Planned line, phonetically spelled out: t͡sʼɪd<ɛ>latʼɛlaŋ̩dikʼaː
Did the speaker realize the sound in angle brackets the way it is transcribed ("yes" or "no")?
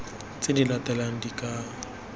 no